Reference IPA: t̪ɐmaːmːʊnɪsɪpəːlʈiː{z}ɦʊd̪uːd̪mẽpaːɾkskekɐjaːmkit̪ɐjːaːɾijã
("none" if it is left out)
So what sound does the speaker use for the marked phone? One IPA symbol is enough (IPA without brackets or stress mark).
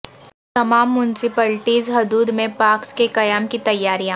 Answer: z